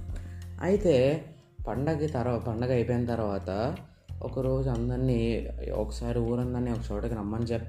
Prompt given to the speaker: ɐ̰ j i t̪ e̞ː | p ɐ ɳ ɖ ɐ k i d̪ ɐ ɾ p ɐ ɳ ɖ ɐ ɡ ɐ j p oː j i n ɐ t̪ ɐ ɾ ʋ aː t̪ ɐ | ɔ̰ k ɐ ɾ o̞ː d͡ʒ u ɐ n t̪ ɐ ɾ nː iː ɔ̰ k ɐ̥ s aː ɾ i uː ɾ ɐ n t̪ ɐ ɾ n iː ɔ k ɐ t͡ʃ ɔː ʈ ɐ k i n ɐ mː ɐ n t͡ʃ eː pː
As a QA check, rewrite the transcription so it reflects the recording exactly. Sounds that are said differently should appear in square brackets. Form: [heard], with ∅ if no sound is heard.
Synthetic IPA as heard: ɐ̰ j i t̪ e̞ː | p ɐ ɳ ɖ ɐ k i [t̪] ɐ ɾ p ɐ ɳ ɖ ɐ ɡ ɐ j p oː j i n ɐ t̪ ɐ ɾ ʋ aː t̪ ɐ | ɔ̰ k ɐ ɾ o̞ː d͡ʒ u ɐ n [d̪] ɐ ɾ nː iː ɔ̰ k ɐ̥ s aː ɾ i uː ɾ ɐ n [d̪] ɐ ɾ n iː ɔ k ɐ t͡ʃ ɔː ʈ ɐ k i n ɐ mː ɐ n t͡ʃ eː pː